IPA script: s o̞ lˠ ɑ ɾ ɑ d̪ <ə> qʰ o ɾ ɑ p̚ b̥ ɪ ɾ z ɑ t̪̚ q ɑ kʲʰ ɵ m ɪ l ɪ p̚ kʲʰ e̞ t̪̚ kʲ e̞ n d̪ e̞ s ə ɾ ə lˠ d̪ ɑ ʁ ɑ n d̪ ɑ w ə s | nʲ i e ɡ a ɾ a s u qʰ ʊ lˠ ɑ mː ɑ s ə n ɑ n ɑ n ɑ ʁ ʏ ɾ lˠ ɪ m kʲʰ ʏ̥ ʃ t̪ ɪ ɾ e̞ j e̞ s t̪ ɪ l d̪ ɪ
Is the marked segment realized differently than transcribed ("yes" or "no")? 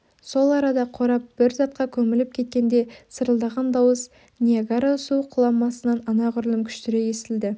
yes